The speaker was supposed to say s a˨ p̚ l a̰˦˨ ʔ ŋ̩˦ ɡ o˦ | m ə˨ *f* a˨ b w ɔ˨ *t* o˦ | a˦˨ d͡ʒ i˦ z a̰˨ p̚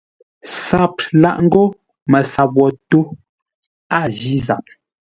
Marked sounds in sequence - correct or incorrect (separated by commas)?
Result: incorrect, correct